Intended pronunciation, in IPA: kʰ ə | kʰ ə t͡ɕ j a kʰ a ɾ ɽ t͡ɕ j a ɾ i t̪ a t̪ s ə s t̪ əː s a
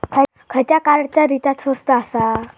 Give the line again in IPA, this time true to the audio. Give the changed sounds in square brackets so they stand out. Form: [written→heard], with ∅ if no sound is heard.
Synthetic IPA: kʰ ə | kʰ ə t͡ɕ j a [kʰ→k] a ɾ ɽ t͡ɕ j a ɾ i t̪ a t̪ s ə s t̪ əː s a